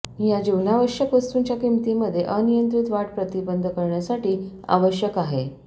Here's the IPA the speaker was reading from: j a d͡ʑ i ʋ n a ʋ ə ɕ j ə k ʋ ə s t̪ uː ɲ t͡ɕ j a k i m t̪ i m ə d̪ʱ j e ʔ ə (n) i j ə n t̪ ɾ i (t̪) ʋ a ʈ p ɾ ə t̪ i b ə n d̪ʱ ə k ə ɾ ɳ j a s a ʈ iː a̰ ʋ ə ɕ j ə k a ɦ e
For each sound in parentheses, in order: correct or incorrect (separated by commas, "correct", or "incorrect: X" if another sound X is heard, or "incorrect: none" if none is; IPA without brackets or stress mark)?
correct, correct